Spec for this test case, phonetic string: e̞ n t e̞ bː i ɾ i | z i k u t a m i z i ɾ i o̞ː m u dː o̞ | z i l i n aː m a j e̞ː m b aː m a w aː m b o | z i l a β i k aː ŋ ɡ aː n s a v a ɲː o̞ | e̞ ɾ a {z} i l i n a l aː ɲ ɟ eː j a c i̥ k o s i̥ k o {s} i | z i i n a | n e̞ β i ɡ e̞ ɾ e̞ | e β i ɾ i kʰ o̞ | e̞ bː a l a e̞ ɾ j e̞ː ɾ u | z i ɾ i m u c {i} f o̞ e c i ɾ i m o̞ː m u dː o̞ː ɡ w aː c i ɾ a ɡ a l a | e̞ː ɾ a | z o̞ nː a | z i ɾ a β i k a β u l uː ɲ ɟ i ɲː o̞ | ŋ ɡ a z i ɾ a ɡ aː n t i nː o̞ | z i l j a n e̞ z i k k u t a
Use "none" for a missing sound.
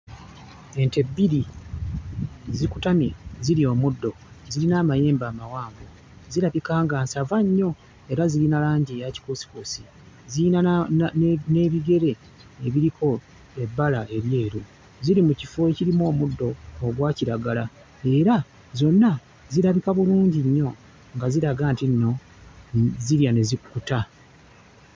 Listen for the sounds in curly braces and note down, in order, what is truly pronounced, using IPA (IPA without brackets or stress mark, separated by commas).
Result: z, s, i